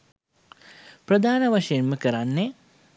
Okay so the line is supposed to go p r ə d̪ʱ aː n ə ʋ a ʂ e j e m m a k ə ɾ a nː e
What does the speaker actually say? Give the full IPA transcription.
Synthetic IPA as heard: p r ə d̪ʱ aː n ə ʋ a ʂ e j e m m ə k ə ɾ a nː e